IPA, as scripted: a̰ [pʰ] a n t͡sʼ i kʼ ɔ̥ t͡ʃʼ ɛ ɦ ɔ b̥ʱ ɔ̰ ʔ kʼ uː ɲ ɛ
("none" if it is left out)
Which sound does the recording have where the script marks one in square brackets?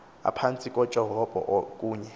pʰ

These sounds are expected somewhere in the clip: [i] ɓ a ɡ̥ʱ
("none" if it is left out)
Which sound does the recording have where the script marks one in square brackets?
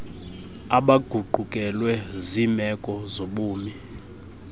a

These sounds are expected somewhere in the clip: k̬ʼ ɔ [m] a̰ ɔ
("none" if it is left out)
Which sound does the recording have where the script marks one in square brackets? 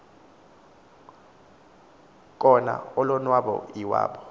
n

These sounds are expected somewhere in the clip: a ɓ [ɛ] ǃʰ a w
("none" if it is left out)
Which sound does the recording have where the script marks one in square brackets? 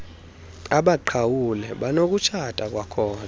a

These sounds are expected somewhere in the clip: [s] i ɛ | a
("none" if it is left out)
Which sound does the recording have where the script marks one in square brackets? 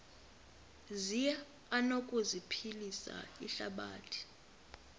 z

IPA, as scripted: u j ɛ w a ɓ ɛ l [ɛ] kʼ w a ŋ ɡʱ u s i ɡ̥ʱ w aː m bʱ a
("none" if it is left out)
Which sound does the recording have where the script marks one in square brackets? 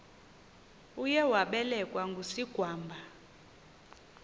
ɛ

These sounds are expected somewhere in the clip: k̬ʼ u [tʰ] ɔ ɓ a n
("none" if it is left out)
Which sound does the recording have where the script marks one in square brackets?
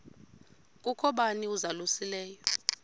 kʰ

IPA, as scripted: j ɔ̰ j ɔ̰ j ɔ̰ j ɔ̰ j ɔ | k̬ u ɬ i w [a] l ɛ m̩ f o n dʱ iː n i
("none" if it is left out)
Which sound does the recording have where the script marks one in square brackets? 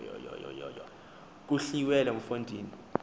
ɛ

